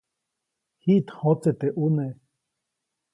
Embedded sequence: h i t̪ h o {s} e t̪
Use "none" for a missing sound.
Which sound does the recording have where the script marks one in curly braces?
t͡s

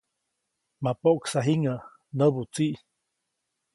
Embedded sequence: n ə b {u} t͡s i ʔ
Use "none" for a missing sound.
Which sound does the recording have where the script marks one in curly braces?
u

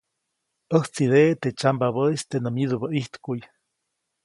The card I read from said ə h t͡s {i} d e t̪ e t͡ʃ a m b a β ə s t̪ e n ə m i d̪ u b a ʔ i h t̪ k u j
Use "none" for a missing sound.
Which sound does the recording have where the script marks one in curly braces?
i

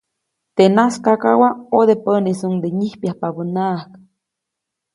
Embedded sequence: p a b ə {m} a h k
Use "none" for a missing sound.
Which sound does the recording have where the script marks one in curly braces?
n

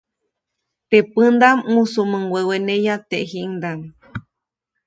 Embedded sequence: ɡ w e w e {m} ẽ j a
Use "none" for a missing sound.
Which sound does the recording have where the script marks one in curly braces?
n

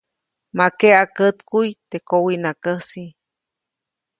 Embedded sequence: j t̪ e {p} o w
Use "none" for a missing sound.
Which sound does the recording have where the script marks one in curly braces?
k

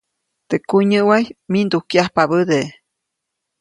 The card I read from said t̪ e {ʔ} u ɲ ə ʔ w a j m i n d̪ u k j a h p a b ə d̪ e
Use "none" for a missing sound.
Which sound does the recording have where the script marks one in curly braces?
k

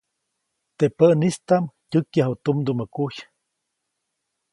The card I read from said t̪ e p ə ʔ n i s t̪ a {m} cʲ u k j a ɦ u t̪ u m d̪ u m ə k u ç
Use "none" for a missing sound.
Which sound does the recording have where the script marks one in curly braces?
m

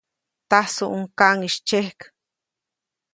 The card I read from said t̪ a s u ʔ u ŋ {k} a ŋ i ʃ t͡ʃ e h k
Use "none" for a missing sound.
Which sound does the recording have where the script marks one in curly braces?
k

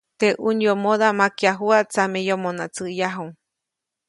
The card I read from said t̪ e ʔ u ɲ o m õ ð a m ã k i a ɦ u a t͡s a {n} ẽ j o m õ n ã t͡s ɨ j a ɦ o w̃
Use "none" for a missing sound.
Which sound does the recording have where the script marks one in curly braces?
m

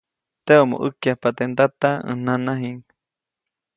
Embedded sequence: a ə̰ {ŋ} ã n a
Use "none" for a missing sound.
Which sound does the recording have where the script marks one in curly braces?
n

